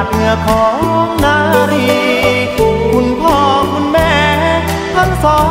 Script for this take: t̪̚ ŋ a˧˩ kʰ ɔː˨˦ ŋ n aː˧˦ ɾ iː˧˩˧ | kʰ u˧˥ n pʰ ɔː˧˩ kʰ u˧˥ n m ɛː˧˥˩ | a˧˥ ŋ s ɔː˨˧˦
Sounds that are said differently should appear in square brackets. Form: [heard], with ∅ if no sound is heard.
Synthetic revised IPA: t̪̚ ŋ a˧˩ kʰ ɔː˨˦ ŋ n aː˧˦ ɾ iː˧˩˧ | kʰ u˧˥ n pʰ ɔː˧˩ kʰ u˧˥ n m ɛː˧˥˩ | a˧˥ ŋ s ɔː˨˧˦

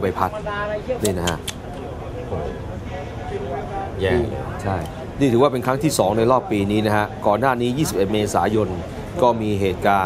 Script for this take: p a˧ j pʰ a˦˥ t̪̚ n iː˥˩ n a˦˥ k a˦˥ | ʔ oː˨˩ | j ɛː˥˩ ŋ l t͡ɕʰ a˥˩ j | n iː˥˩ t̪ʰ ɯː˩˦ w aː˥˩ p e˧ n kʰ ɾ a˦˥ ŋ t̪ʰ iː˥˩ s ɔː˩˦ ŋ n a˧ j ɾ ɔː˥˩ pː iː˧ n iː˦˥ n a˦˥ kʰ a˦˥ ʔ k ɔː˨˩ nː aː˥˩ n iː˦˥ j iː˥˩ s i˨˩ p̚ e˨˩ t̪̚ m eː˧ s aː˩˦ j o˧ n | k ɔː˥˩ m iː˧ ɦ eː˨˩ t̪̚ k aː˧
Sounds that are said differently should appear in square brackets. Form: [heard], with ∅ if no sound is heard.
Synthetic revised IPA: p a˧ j pʰ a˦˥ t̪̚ n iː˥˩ n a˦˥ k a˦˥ | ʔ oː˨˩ | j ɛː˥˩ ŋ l t͡ɕʰ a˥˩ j | n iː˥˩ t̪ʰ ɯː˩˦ w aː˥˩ p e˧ n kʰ ɾ a˦˥ ŋ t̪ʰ iː˥˩ s ɔː˩˦ ŋ n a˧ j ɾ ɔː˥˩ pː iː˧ n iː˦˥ n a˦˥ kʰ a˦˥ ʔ k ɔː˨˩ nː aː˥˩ n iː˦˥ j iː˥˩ s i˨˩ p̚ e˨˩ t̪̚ m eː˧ s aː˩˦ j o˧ n | k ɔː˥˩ m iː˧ ɦ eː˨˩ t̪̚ k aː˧

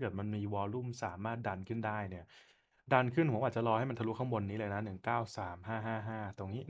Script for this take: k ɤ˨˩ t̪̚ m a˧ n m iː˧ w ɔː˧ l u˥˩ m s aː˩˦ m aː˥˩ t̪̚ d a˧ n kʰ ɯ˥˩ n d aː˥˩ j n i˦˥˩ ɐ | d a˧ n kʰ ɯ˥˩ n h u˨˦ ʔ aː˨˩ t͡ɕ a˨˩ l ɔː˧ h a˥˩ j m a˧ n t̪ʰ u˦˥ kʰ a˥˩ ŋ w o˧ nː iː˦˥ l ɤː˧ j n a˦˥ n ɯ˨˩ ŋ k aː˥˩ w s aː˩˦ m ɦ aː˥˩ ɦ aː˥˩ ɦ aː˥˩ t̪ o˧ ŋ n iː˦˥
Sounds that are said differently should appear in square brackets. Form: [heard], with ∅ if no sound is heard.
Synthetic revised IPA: k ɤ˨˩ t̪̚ m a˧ n m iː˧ w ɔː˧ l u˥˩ m s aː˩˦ m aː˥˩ t̪̚ d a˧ n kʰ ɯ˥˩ n d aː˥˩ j n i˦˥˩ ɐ | d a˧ n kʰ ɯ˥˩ n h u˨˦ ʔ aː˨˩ t͡ɕ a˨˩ l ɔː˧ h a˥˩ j m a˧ n t̪ʰ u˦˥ kʰ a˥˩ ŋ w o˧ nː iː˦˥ l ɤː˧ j n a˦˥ n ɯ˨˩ ŋ k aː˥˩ w s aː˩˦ m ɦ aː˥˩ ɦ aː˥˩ ɦ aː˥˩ t̪ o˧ ŋ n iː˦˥

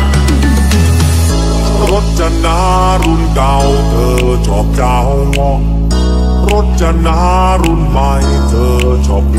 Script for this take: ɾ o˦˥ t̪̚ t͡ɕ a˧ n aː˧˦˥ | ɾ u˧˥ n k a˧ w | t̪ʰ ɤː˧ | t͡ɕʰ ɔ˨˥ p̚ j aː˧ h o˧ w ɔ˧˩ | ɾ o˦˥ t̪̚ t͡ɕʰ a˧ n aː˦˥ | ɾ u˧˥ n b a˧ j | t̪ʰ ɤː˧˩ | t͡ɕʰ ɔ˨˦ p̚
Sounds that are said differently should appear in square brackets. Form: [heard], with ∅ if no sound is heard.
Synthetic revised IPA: ɾ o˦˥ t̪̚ t͡ɕ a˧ n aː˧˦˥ | ɾ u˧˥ n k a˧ w | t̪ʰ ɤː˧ | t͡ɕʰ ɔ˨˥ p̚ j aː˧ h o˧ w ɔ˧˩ | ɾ o˦˥ t̪̚ [t͡ɕ] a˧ n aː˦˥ | ɾ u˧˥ n [m] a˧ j | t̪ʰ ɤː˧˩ | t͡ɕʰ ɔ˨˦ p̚

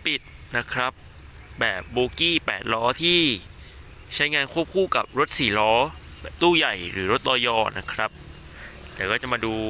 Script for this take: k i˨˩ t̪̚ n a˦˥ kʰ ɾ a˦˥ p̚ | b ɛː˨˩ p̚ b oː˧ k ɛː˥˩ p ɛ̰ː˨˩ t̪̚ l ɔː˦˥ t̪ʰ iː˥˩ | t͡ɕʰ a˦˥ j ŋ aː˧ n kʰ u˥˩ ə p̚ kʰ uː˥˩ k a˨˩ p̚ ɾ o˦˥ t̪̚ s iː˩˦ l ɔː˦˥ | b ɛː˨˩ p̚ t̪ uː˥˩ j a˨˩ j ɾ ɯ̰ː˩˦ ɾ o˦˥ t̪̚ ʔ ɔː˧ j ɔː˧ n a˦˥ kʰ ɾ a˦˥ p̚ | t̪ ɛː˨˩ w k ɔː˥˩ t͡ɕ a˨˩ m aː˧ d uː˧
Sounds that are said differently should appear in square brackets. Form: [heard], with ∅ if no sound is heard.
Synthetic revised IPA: [p] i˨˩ t̪̚ n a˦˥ kʰ ɾ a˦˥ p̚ | b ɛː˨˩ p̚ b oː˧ k [iː˥˩] p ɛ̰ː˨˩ t̪̚ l ɔː˦˥ t̪ʰ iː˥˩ | t͡ɕʰ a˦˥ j ŋ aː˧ n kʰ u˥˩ ə p̚ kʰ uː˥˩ k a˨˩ p̚ ɾ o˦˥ t̪̚ s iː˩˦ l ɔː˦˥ | b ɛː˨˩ p̚ t̪ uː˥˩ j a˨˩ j ɾ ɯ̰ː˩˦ ɾ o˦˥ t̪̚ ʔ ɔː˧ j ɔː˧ n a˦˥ kʰ ɾ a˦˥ p̚ | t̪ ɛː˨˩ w k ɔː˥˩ t͡ɕ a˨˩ m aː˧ d uː˧

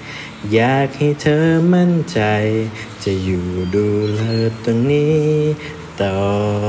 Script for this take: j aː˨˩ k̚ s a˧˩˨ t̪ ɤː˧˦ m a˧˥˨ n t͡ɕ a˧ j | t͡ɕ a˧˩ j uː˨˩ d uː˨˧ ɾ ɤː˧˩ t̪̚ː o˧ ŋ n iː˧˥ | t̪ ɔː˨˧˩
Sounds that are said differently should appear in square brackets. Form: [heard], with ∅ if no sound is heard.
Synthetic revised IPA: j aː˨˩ k̚ [h] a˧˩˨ [t̪ʰ] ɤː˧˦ m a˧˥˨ n t͡ɕ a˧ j | t͡ɕ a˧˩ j uː˨˩ d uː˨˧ [l] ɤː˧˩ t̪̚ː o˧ ŋ n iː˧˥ | t̪ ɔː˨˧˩

